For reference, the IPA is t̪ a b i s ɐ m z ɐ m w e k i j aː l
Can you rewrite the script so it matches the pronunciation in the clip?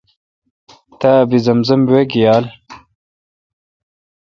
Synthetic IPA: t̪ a b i z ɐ m z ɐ m w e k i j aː l